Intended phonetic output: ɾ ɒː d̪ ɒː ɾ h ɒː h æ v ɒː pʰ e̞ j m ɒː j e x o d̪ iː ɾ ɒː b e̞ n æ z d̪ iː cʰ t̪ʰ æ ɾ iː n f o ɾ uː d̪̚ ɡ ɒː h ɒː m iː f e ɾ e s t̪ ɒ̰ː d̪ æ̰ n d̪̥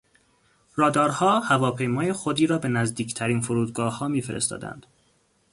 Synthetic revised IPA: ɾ ɒː d̪ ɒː ɾ h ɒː h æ v ɒː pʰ e̞ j m ɒː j e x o d̪ iː ɾ ɒː b e̞ n æ z d̪ iː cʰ t̪ʰ æ ɾ iː n f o ɾ uː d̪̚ ɡ ɒː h ɒː m iː f e ɾ e s t̪ ɒ̰ː d̪ æ̰ n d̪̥